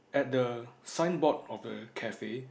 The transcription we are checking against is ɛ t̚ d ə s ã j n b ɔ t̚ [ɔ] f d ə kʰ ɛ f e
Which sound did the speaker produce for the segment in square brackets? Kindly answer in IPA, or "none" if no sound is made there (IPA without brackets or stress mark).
ɔ